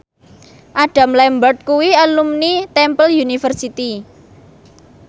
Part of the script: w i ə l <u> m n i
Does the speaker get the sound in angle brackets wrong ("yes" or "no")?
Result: no